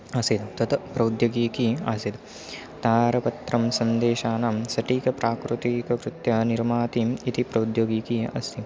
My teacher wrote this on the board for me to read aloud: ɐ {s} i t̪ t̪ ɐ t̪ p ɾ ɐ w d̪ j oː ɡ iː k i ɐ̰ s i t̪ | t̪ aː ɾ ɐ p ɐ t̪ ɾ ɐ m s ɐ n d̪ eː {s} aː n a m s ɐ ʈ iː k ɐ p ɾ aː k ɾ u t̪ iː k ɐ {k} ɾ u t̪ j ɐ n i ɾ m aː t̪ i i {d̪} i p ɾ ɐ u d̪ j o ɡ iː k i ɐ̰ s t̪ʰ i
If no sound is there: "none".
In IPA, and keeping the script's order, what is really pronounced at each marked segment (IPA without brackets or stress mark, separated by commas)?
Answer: s, ʃ, k, t̪